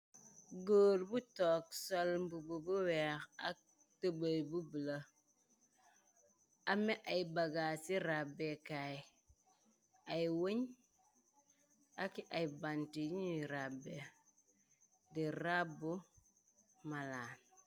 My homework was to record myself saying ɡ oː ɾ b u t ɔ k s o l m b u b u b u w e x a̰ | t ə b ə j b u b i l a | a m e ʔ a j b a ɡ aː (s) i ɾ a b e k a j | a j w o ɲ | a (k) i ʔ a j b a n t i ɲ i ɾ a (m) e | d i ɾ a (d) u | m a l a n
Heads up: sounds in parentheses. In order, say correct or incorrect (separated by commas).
correct, correct, incorrect, incorrect